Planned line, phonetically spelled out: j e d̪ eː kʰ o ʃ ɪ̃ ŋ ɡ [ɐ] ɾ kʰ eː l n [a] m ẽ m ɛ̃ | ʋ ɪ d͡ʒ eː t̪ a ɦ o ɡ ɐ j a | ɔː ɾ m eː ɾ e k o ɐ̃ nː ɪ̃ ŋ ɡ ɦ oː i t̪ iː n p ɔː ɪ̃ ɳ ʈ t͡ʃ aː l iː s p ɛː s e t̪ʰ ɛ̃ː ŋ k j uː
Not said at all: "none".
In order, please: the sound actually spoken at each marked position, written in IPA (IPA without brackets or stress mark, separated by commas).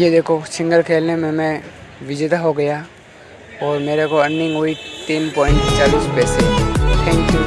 ə, e